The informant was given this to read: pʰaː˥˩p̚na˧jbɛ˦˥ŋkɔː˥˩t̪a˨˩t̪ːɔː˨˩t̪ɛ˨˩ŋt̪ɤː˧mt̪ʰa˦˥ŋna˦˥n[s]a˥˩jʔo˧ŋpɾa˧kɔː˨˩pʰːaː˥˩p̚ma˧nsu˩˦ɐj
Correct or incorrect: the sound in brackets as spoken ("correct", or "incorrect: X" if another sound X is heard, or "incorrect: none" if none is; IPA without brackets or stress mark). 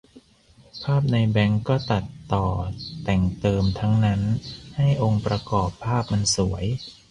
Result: incorrect: h